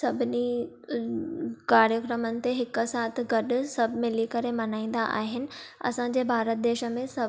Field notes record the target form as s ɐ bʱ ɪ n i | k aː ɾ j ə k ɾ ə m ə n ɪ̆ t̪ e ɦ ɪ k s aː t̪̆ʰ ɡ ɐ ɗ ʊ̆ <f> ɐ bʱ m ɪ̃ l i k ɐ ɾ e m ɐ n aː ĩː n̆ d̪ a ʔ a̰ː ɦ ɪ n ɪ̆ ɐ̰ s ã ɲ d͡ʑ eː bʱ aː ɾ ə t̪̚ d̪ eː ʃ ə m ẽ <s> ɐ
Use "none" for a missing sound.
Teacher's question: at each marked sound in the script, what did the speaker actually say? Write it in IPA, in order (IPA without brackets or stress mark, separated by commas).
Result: s, s